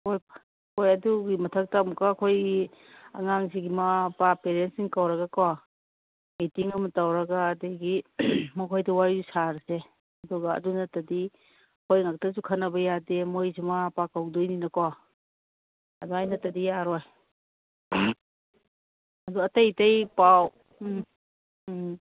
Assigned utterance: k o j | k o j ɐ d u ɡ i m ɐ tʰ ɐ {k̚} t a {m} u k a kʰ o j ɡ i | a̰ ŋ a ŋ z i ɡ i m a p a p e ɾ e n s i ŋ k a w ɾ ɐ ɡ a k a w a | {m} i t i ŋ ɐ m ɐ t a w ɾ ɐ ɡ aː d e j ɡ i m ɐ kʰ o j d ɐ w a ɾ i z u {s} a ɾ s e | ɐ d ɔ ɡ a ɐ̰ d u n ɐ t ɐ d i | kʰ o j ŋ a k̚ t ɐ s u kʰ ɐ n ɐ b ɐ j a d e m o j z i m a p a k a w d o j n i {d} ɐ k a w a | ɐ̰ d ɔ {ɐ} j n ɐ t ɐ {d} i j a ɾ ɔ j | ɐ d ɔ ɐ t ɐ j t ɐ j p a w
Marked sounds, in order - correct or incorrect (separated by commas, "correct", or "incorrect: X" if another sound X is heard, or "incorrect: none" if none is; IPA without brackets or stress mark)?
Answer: correct, correct, correct, correct, incorrect: n, incorrect: a, correct